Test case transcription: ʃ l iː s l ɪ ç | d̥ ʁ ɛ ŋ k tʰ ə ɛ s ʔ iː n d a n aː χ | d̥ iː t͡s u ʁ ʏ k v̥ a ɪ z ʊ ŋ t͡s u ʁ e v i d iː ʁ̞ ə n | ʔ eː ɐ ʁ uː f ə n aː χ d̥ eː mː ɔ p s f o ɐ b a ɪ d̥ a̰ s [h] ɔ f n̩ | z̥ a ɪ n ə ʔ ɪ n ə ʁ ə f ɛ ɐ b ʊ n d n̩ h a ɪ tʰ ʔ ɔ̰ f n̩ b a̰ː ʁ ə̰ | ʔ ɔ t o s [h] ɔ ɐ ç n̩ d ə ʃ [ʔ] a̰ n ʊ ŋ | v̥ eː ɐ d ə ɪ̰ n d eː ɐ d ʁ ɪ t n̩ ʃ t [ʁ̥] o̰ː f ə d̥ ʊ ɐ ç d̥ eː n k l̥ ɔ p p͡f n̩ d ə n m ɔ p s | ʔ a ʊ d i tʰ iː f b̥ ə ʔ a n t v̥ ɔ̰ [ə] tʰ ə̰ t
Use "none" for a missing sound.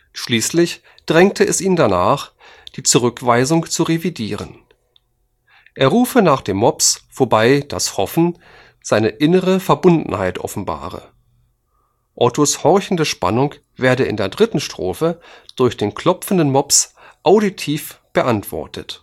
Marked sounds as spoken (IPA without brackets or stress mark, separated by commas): h, h, p, ʁ̥, ɐ